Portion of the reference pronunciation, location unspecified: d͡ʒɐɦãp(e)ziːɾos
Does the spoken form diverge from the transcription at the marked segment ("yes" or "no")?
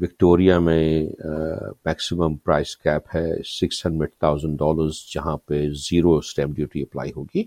no